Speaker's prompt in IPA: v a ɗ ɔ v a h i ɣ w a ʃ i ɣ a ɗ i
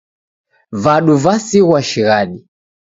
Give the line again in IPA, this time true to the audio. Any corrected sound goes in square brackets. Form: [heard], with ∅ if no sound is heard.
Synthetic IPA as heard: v a ɗ [u] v a [s] i ɣ w a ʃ i ɣ a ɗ i